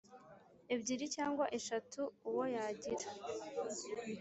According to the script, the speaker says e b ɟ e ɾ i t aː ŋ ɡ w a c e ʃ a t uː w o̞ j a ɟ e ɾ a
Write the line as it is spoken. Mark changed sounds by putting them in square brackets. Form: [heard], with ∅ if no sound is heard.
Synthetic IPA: e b ɟ [i] ɾ i [c] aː ŋ ɡ w a [ʔ] e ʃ a t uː w o̞ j a ɟ [i] ɾ a